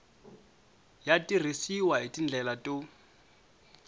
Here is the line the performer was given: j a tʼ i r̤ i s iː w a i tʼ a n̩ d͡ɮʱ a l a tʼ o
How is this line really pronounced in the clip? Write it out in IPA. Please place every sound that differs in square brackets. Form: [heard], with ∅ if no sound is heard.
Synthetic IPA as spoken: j a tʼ i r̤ i s [i] w a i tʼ [i] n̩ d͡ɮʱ [ɛ] l a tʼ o